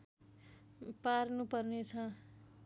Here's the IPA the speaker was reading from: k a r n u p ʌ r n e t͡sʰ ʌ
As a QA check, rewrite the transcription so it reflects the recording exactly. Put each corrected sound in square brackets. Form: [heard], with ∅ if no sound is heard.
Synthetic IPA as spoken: [p] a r n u p ʌ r n e t͡sʰ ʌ